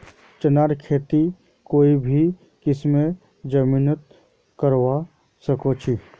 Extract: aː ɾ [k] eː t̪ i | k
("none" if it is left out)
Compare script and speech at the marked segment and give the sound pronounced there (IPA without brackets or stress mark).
kʰ